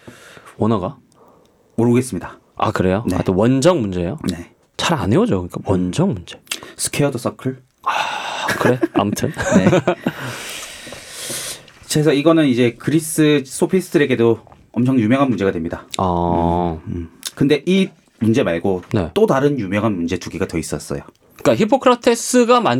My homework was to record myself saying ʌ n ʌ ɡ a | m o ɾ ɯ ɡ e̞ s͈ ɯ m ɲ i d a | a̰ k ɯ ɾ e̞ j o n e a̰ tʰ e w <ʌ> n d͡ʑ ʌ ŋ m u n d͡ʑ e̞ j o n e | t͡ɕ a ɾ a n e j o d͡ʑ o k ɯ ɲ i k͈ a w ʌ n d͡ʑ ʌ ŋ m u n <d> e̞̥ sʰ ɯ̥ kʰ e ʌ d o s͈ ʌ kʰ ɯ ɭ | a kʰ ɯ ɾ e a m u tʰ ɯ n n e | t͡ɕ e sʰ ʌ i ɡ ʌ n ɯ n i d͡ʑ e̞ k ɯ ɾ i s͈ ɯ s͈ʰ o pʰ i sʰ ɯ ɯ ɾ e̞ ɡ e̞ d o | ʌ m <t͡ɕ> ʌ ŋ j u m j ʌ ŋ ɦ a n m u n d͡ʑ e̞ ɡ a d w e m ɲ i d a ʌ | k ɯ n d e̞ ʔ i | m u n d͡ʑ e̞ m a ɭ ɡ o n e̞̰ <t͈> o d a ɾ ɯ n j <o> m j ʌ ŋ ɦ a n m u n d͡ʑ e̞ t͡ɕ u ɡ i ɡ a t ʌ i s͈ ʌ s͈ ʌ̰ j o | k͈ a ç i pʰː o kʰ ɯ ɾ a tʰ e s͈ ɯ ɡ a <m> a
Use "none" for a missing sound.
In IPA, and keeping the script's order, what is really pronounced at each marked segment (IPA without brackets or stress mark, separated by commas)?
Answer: ʌ, d͡ʑ, t͡ɕʰ, t͈, u, m